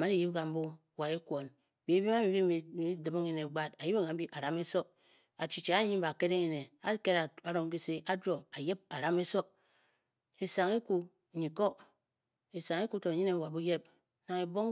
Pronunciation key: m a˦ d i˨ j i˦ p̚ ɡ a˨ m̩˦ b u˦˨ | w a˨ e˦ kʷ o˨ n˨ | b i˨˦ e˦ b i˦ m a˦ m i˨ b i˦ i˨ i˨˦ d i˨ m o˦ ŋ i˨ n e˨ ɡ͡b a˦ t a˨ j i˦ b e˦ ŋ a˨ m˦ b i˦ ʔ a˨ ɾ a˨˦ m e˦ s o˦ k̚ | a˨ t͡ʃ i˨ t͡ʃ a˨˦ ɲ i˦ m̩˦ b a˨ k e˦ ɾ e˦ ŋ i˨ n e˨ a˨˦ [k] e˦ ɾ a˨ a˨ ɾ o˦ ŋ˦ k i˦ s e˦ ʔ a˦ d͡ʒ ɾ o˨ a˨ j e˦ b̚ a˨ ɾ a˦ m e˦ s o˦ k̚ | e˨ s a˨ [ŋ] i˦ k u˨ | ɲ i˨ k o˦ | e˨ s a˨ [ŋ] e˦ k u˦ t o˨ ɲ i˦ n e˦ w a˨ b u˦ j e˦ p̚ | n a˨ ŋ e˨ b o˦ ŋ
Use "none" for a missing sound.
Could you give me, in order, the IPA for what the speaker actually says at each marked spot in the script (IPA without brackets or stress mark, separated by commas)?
k, ŋ, ŋ